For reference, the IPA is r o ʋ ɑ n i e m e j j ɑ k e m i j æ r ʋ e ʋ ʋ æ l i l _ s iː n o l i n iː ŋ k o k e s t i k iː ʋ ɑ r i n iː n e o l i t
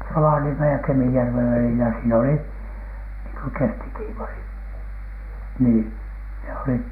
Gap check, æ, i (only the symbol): æ